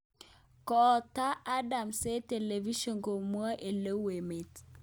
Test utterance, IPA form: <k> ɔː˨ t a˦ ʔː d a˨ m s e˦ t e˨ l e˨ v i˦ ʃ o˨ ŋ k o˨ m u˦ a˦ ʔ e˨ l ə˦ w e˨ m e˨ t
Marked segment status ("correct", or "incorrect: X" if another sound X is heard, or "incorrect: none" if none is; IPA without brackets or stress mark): correct